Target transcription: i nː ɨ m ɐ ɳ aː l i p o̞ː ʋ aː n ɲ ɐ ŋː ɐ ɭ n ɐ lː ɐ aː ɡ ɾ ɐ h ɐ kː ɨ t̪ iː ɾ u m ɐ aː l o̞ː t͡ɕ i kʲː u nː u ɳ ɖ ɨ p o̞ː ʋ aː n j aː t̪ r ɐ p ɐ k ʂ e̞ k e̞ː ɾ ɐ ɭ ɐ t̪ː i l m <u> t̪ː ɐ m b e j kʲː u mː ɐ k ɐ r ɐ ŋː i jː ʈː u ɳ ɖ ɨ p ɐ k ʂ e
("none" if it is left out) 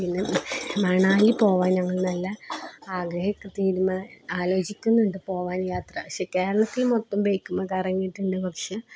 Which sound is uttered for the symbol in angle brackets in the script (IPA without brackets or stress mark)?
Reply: o